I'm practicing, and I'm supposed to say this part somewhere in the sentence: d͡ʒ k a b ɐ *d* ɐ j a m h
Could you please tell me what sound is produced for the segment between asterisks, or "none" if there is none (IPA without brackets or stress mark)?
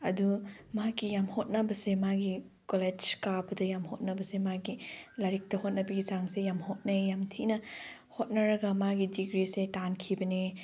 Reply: d